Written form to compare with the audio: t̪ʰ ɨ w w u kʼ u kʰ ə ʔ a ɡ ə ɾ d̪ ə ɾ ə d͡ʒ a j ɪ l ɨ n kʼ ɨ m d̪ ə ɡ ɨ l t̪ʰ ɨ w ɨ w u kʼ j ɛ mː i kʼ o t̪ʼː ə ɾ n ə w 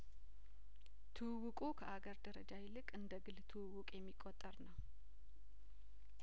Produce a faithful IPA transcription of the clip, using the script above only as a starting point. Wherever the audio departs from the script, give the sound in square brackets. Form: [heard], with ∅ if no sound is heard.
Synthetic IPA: t̪ʰ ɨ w w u kʼ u kʰ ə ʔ a ɡ ə ɾ d̪ ə ɾ ə d͡ʒ a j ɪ l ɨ [∅] kʼ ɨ [n] d̪ ə ɡ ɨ l t̪ʰ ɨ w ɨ w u kʼ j ɛ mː i kʼ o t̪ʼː ə ɾ n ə w